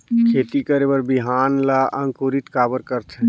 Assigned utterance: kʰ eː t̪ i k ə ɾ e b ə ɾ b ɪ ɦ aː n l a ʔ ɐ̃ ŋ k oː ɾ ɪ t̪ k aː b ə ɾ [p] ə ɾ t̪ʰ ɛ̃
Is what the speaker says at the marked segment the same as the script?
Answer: no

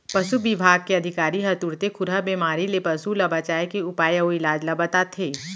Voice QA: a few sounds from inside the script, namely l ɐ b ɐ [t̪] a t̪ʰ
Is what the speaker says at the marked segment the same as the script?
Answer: yes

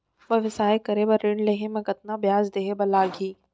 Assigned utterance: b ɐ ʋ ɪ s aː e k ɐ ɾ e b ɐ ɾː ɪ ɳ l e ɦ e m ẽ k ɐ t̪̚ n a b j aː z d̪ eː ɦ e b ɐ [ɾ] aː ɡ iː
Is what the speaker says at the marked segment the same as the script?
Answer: no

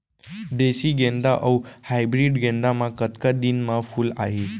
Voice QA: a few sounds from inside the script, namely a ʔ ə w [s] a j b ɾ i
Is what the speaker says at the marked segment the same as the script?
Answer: no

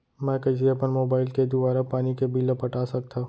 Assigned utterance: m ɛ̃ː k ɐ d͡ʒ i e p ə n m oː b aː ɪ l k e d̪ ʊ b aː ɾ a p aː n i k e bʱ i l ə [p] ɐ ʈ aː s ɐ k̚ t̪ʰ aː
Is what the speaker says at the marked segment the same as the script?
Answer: yes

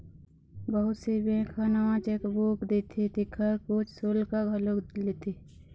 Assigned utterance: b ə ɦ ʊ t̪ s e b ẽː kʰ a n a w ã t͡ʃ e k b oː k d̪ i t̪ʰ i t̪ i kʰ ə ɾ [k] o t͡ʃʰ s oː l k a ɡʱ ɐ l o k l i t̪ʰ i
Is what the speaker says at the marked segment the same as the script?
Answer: yes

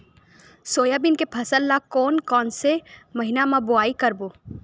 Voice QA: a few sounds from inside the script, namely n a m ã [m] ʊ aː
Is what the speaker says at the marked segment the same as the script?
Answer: no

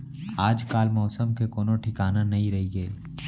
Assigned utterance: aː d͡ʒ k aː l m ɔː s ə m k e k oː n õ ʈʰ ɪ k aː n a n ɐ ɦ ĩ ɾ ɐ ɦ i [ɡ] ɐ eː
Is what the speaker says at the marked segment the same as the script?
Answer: yes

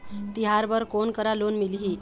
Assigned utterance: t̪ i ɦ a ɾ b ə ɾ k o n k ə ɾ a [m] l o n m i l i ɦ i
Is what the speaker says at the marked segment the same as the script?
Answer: no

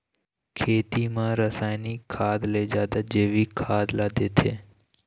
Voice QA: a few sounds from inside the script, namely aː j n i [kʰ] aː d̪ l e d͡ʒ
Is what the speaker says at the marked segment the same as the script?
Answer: yes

